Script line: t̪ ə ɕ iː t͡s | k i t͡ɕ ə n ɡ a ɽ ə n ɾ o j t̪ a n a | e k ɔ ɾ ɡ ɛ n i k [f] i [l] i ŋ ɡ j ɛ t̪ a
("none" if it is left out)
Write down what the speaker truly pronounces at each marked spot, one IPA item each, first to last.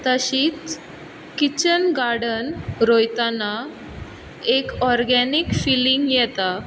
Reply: f, l

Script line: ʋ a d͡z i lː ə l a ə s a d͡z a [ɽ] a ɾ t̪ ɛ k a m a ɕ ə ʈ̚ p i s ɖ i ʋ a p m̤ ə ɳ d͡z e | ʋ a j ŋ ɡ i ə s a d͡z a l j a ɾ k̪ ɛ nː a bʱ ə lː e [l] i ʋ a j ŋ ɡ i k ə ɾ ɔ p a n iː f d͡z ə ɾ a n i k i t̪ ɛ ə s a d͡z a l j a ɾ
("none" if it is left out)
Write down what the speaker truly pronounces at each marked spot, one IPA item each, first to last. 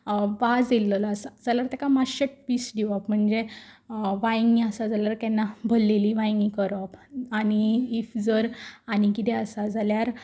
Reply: l, l

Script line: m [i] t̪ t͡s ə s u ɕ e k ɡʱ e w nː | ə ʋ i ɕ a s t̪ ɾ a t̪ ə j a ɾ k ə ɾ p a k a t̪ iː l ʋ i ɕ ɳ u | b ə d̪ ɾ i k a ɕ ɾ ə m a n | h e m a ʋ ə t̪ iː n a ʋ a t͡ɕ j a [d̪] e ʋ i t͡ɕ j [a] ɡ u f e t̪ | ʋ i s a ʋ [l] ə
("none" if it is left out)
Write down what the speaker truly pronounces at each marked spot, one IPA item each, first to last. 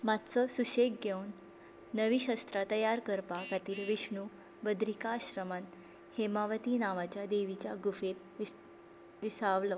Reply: a, d̪, a, l

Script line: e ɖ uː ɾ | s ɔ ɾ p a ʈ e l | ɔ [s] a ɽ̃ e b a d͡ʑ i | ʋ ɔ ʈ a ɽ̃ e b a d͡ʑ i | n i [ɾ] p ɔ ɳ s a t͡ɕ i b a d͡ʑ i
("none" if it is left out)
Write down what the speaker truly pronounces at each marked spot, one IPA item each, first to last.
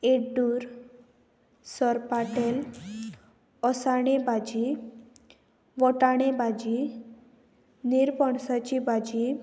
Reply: s, ɾ

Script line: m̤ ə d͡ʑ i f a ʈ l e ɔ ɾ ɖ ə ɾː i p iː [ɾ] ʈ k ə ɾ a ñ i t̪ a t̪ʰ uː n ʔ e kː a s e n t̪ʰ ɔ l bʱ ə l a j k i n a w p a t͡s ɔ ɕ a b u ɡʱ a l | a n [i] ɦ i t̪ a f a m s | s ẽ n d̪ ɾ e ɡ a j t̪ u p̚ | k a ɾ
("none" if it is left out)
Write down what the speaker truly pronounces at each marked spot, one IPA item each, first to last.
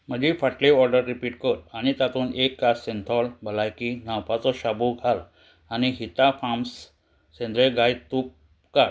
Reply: none, i

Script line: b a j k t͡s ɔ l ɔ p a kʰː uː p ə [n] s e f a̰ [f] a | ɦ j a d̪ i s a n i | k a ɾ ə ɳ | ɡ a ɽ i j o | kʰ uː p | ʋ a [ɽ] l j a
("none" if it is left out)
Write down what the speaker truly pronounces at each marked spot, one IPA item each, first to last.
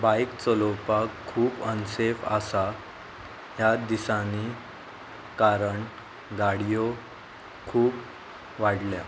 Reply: n, s, ɽ

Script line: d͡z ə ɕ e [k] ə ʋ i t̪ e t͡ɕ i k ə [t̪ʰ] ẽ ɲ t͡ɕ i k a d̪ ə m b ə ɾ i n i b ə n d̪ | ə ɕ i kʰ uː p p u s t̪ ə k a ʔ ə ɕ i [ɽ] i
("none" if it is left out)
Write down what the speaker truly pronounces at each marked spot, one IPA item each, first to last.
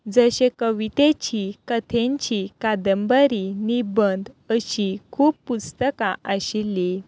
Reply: k, t̪ʰ, l

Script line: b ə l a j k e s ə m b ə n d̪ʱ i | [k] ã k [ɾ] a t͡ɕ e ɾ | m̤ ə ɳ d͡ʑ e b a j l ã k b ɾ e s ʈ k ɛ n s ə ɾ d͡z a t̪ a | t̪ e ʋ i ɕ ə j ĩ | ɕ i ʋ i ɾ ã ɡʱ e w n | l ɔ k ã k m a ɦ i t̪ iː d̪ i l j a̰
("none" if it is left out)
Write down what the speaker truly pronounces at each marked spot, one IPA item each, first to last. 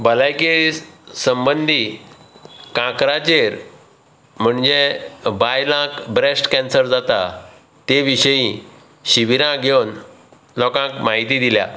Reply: k, ɾ

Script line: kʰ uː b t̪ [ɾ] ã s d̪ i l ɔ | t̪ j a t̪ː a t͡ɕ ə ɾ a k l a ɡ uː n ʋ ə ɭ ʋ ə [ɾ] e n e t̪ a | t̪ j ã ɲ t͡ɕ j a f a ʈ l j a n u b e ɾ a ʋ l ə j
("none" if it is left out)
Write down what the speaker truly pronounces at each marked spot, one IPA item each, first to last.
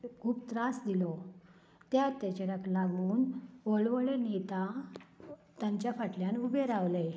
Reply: ɾ, ɭ

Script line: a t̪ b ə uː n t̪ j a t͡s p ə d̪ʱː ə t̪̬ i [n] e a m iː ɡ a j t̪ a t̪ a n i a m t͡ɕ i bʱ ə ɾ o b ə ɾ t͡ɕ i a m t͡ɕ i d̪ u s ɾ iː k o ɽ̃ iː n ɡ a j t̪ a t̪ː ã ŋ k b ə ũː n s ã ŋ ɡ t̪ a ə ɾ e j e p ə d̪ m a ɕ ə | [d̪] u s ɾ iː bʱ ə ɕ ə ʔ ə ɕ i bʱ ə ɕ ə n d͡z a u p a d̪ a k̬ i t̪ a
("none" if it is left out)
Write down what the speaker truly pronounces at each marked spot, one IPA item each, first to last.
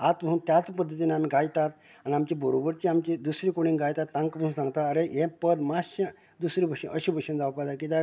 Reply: n, d̪

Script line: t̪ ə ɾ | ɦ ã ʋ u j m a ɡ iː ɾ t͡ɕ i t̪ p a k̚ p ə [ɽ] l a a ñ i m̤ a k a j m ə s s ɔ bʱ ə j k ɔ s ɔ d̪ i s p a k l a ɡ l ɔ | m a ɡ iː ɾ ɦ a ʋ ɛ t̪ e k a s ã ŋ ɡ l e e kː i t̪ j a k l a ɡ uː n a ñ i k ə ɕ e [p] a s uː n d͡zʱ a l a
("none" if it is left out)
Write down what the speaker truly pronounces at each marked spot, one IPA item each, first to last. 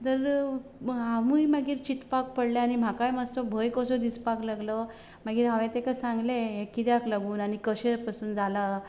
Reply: ɽ, p

